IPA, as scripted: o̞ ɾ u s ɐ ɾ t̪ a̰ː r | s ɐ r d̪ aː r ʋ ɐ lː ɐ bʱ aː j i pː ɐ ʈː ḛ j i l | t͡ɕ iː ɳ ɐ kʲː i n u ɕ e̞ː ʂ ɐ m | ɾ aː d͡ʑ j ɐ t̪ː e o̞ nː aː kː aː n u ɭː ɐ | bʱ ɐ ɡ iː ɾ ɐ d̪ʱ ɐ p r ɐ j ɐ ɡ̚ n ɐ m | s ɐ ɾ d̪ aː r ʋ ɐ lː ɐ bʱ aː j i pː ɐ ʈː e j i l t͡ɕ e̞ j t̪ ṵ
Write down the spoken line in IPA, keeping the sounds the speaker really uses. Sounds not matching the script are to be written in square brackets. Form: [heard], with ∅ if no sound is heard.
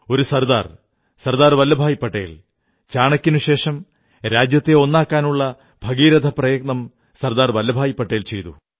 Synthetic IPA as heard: o̞ ɾ u s ɐ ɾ [d̪] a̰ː r | s ɐ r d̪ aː r ʋ ɐ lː ɐ bʱ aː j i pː ɐ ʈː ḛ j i l | t͡ɕ [aː] ɳ ɐ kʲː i n u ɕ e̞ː ʂ ɐ m | ɾ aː d͡ʑ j ɐ t̪ː e o̞ nː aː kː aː n u ɭː ɐ | bʱ ɐ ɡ iː ɾ ɐ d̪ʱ ɐ p r ɐ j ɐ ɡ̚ n ɐ m | s ɐ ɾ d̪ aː r ʋ ɐ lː ɐ bʱ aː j i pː ɐ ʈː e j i l t͡ɕ e̞ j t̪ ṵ